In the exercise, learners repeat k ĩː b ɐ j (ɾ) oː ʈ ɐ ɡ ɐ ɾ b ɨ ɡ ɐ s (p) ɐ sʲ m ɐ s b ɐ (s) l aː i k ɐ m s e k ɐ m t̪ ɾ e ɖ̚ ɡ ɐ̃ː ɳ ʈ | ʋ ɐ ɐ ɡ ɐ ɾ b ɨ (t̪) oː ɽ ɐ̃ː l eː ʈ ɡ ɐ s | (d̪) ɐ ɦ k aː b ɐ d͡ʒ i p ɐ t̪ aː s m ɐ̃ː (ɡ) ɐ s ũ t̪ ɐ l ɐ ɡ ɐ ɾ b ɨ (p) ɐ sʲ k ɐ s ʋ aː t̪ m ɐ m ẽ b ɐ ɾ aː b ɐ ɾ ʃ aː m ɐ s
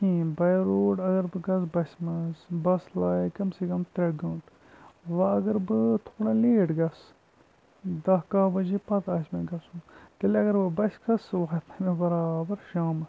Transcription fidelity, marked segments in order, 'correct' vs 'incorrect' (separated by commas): correct, incorrect, correct, incorrect, correct, correct, incorrect